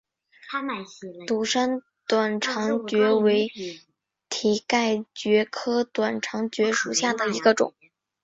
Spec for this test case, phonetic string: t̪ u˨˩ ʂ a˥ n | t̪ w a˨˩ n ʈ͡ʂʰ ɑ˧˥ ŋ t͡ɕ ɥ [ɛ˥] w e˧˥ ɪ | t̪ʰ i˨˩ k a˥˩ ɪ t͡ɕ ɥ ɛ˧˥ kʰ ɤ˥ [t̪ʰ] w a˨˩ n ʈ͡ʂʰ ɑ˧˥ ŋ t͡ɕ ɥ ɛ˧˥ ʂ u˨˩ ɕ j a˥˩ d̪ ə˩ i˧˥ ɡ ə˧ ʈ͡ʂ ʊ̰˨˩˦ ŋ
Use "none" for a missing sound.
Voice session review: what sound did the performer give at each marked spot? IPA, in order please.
ɛ˧˥, t̪

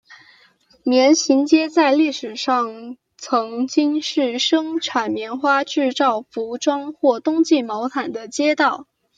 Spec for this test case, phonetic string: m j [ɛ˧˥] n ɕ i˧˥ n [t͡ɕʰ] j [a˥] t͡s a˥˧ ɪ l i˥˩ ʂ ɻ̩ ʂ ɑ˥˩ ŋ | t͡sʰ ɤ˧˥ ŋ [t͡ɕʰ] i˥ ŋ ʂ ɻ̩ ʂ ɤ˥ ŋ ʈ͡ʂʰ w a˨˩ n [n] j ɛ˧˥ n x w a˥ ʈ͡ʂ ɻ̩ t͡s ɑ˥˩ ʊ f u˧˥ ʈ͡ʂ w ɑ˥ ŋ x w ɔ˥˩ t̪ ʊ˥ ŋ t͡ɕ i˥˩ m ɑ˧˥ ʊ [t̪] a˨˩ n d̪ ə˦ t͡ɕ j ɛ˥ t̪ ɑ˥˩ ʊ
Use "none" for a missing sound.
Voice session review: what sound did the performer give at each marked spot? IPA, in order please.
ɛ˧˥, t͡ɕ, ɛ˥, t͡ɕ, m, t̪ʰ

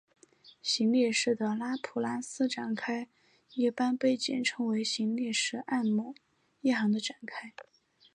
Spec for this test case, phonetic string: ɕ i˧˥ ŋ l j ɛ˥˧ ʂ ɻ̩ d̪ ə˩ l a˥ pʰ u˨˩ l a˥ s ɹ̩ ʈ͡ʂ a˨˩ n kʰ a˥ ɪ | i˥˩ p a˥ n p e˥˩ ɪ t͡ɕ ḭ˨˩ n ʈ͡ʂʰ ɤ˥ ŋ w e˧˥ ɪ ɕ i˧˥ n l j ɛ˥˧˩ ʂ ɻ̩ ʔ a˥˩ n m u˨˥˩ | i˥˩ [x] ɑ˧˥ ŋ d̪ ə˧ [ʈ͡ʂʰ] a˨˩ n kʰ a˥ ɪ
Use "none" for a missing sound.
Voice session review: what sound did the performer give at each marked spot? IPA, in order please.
x, ʈ͡ʂ

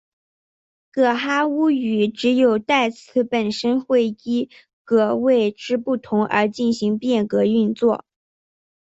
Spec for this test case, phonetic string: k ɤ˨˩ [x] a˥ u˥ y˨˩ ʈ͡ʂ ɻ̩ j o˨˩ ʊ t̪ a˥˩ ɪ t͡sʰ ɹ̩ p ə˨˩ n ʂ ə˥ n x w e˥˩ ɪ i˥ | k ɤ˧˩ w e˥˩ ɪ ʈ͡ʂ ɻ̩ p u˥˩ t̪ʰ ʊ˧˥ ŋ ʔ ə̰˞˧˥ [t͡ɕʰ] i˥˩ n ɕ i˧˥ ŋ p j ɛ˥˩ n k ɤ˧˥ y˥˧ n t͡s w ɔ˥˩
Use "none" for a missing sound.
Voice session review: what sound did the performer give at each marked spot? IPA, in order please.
x, t͡ɕ

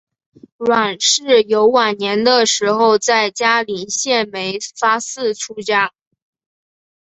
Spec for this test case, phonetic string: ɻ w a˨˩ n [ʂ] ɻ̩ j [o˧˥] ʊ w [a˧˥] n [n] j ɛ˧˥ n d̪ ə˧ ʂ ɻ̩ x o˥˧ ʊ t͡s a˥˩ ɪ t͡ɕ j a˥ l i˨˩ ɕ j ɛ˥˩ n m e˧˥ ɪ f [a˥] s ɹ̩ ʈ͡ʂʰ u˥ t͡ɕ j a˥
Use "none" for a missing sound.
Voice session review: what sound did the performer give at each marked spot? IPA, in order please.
ʂ, o˧˥, a˨˩, n, a˥

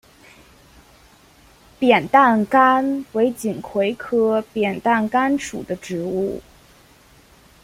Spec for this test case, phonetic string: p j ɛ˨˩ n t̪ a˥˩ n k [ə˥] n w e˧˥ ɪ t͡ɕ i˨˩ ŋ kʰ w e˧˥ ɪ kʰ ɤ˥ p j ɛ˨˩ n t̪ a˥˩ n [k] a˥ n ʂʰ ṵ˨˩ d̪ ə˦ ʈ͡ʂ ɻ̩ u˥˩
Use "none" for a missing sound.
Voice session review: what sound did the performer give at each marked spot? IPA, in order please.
a˥, k

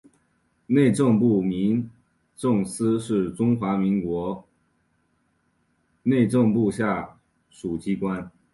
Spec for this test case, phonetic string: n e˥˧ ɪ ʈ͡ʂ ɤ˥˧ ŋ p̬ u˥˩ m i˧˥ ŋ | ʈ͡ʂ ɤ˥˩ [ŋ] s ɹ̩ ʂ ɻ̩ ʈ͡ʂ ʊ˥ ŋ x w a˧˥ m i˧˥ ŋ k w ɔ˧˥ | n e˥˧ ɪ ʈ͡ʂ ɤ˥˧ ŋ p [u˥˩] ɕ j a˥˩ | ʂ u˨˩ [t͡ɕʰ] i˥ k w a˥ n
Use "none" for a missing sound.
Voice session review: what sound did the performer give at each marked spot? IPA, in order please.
ŋ, u˥˧, t͡ɕ

